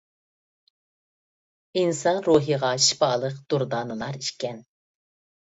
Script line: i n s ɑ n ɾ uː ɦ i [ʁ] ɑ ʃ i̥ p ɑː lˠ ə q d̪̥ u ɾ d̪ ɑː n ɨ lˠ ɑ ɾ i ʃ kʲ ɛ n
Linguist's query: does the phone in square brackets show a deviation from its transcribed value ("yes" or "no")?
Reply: no